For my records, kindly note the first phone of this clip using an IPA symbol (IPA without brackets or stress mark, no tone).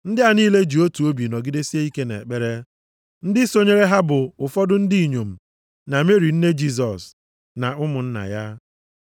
n̩